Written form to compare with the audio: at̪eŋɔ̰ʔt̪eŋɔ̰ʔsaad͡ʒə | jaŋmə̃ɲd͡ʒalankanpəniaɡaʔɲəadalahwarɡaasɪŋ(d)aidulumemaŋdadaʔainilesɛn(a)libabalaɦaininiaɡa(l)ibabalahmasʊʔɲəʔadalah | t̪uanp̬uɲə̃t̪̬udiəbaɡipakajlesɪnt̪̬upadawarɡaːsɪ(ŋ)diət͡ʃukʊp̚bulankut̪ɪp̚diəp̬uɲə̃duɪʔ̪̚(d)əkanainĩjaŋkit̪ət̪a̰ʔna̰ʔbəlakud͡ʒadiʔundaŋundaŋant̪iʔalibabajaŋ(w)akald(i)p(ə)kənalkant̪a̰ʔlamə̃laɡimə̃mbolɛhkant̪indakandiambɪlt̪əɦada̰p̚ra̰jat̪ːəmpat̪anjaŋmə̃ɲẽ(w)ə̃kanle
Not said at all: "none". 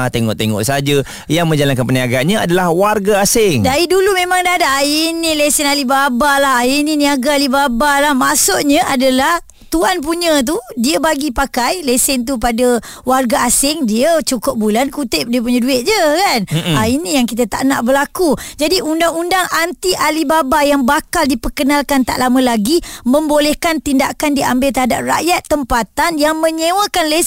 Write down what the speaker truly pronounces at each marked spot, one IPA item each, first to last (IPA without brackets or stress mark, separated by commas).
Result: d, a, l, ŋ, d͡ʒ, b, i, ə, w